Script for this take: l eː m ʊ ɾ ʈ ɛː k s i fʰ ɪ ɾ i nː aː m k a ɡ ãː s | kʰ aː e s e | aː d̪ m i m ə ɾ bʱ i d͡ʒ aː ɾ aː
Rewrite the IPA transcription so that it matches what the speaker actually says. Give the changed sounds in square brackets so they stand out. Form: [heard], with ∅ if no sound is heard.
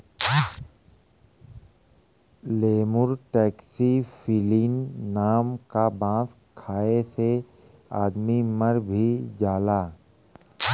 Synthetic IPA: l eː m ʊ ɾ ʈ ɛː k s i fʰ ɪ [l] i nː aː m k a [b] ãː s | kʰ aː e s e | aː d̪ m i m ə ɾ bʱ i d͡ʒ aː [l] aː